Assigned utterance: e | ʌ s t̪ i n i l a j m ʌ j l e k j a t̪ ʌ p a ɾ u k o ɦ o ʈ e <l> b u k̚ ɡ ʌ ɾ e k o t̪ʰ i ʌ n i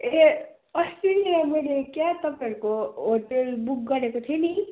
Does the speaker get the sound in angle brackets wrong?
no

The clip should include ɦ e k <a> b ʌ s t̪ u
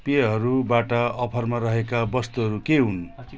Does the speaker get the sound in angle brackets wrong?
no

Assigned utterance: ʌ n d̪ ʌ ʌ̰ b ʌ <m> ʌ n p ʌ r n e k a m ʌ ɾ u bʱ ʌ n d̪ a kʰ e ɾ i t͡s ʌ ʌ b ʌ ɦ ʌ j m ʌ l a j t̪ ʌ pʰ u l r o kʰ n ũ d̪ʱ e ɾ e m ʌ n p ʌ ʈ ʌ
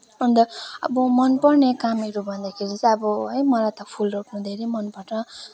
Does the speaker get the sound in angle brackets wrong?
no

